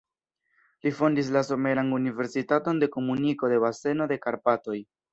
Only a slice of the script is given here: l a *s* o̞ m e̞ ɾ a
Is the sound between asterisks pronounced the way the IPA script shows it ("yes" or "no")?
yes